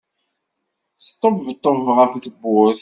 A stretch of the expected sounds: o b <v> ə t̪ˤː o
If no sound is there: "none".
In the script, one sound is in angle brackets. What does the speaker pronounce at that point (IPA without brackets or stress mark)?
v